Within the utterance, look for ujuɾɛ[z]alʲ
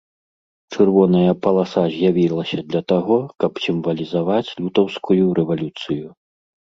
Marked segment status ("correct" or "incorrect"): incorrect